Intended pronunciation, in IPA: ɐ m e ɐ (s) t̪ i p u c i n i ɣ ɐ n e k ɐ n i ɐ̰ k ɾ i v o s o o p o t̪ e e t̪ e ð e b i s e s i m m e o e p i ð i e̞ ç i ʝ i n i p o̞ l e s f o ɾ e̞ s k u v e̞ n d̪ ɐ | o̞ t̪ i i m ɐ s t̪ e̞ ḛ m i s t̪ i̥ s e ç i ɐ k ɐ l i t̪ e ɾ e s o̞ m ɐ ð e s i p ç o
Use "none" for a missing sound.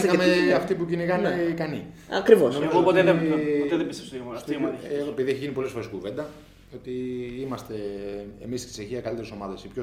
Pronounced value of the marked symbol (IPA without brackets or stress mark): f